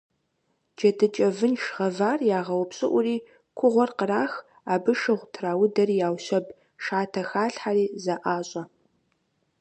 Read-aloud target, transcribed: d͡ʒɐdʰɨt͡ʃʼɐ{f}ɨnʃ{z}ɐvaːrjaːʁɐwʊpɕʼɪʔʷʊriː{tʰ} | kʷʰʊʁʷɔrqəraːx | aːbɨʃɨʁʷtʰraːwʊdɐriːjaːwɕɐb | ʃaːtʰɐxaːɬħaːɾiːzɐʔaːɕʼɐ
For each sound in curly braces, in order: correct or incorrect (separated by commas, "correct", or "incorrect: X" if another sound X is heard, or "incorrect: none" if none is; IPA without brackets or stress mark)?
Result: incorrect: v, incorrect: ʁ, incorrect: none